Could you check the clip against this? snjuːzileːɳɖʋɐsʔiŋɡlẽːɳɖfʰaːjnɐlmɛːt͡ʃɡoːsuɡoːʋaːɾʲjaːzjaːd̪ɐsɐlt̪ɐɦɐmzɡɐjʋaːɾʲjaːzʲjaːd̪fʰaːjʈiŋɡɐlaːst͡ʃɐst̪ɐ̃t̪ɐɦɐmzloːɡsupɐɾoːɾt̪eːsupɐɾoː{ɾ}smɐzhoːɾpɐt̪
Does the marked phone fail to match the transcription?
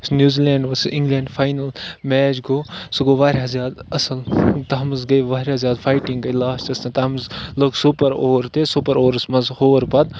no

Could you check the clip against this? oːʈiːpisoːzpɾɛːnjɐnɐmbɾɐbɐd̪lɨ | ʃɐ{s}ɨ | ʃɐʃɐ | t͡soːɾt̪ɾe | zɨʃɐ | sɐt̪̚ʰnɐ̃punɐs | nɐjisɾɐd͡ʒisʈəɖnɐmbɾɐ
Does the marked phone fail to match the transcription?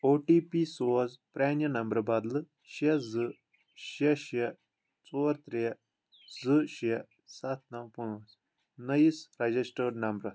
yes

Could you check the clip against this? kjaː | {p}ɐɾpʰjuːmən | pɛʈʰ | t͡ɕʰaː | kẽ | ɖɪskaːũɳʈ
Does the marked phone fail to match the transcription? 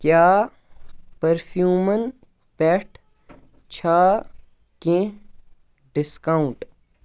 no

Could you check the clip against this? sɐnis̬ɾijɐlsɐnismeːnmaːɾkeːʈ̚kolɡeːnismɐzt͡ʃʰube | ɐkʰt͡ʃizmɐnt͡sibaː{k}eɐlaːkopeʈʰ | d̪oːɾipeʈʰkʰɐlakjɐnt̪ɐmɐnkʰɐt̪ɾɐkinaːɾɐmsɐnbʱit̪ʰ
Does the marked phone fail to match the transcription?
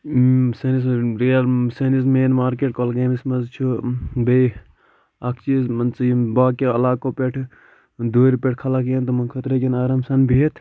no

